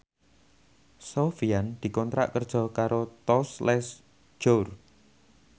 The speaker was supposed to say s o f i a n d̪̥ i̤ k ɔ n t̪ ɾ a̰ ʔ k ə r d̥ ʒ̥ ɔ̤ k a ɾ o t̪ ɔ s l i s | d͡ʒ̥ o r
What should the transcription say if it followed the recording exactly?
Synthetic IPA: s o f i a n d̪̥ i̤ k ɔ n t̪ ɾ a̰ ʔ k ə r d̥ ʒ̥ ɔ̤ k a ɾ o t̪ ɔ s l ɛ s | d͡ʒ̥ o r